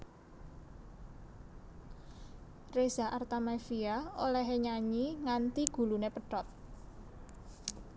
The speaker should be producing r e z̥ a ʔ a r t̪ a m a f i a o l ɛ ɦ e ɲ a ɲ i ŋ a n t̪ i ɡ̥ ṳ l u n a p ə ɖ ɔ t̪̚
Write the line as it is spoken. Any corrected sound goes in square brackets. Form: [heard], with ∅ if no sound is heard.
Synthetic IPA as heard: r e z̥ a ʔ a r t̪ a m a f i a o l ɛ ɦ e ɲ a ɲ i ŋ a n t̪ i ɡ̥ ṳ l u n [e] p ə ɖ ɔ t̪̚